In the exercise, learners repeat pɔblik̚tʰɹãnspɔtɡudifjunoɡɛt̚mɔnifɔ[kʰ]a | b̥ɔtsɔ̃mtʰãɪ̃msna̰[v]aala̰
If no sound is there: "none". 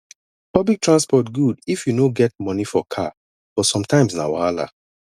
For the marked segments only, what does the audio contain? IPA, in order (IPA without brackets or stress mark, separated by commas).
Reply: kʰ, w